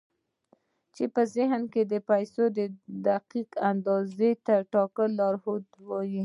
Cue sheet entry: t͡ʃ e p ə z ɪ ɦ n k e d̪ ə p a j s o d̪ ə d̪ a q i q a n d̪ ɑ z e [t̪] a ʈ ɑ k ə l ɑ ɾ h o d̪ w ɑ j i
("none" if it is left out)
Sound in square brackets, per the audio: t̪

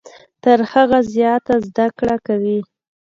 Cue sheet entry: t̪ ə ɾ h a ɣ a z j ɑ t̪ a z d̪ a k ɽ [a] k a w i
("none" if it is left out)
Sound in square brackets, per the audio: a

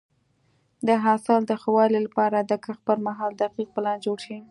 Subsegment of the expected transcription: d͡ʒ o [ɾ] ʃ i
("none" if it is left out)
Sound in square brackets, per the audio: ɽ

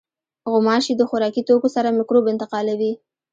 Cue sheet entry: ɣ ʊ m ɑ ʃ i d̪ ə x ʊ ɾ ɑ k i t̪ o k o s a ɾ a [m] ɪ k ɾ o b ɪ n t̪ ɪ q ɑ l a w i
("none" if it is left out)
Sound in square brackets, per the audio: m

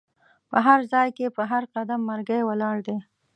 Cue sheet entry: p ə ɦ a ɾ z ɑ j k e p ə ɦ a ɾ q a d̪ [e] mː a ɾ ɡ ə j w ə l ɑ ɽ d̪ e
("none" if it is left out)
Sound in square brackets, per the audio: a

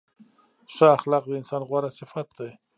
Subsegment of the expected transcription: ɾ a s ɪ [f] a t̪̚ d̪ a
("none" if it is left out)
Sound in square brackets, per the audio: f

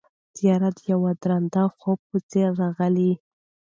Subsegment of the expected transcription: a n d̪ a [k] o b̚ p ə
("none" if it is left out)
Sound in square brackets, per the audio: x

